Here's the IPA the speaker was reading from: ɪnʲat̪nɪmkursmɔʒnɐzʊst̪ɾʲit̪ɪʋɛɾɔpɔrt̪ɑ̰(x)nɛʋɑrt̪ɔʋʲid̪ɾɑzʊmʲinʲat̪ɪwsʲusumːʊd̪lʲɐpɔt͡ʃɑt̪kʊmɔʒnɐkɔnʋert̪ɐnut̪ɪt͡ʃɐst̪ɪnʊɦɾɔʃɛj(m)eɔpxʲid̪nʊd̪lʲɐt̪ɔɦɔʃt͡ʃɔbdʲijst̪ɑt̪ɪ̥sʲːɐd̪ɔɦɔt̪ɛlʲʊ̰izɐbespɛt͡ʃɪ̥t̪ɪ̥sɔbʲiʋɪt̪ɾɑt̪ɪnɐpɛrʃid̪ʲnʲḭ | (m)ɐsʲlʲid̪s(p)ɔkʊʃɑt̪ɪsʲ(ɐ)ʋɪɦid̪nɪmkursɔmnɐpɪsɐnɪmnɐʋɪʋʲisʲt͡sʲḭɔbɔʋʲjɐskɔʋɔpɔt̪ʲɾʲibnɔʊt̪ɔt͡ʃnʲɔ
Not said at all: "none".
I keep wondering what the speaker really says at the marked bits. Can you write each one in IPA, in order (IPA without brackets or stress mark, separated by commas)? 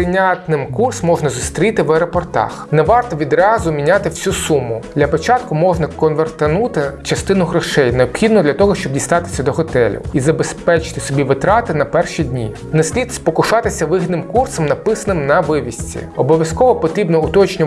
x, n, n, p, ɐ